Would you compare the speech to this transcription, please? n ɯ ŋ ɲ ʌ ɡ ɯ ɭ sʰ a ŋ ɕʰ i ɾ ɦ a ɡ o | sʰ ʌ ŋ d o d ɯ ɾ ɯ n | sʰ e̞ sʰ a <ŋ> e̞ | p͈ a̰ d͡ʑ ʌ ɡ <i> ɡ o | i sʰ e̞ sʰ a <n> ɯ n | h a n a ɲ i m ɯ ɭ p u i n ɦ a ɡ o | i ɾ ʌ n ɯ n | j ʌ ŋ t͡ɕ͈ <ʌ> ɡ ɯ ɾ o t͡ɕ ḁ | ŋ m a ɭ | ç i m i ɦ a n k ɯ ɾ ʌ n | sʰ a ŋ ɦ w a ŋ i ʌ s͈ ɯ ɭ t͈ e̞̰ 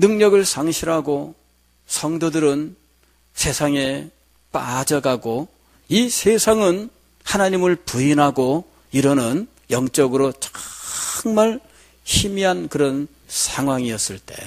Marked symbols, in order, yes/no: yes, no, no, yes

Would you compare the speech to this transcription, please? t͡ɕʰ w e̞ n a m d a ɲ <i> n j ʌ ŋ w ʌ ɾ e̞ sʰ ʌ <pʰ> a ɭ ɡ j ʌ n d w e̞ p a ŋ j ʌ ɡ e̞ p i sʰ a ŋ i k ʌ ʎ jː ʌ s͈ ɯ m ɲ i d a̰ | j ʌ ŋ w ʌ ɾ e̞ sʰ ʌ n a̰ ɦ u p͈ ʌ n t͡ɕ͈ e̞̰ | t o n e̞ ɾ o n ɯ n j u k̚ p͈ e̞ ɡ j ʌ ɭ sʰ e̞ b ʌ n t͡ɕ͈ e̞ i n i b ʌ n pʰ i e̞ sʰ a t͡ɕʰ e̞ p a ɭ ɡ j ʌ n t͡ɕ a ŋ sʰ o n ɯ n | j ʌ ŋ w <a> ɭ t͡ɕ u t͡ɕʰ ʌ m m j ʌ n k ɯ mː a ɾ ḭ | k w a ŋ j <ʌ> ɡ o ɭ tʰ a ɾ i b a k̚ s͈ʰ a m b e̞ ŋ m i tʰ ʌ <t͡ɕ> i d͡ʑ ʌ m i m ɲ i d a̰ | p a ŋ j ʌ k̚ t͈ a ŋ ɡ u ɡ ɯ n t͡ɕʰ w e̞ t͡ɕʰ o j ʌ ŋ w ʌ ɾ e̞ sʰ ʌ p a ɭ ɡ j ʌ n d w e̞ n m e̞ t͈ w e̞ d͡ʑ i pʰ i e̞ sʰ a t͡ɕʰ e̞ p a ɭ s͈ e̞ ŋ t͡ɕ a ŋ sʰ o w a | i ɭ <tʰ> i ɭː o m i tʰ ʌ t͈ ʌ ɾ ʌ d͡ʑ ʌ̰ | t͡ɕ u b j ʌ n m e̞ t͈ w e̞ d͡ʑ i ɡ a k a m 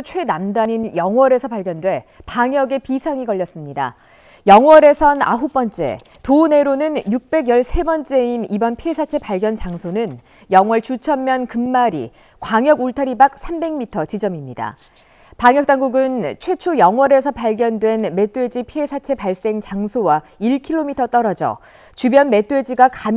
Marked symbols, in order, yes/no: yes, no, no, yes, yes, no

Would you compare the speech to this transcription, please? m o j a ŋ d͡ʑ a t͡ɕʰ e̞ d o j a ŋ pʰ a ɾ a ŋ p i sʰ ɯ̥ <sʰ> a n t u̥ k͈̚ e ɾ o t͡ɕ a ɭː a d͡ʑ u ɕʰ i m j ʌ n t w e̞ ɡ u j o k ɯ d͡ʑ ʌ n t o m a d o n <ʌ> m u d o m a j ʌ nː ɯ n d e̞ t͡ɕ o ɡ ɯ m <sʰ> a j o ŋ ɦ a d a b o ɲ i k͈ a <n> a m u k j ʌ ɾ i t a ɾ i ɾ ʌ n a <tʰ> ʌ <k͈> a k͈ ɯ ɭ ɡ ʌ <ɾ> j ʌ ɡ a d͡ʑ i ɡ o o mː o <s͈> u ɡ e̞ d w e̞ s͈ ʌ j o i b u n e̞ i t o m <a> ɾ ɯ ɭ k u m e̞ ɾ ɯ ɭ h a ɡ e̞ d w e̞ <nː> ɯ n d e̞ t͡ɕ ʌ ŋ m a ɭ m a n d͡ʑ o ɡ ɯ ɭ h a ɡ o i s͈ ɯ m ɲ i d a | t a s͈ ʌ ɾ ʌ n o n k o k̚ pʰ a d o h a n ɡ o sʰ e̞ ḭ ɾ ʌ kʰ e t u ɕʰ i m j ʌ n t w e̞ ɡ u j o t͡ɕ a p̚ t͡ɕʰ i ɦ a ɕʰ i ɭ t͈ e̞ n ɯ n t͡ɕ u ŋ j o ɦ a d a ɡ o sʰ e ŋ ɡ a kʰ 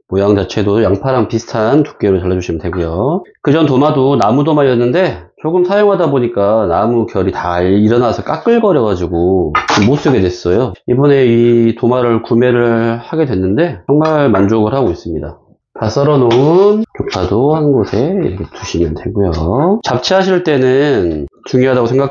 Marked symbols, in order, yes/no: no, no, yes, yes, no, yes, yes, yes, yes, yes

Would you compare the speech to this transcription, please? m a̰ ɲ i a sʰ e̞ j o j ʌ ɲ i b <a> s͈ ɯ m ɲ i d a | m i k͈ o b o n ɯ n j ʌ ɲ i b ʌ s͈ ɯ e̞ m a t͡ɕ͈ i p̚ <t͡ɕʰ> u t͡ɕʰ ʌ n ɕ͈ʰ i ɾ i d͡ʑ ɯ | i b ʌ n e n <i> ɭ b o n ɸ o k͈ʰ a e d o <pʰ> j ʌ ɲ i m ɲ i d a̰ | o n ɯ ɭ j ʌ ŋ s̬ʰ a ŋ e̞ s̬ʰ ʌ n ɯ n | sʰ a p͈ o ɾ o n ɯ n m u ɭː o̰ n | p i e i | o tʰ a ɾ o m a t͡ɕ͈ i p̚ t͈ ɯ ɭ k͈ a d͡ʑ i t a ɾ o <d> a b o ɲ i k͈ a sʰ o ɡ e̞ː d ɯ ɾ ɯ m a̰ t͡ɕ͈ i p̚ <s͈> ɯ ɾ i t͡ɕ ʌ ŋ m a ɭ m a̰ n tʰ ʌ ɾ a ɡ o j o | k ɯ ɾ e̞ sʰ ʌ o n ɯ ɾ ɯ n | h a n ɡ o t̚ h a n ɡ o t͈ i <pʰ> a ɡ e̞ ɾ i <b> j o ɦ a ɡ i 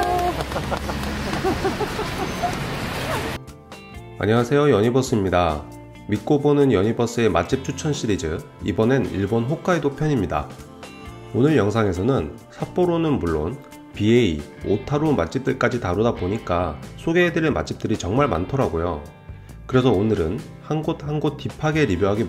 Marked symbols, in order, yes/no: no, yes, yes, yes, yes, no, yes, yes

